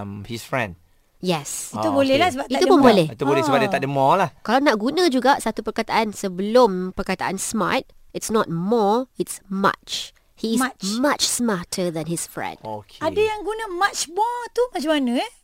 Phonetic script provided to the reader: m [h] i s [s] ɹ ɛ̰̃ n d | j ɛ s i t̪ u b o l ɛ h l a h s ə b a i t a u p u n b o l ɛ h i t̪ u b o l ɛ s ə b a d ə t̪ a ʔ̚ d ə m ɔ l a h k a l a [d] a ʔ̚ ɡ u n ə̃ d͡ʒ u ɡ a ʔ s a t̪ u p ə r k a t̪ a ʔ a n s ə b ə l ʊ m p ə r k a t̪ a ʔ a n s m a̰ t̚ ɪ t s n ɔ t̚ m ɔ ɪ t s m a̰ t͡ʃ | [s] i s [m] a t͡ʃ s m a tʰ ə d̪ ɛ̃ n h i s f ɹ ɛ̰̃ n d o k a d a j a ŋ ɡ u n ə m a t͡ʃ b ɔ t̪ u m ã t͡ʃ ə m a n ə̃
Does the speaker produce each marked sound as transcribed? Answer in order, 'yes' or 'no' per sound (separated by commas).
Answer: yes, no, no, no, yes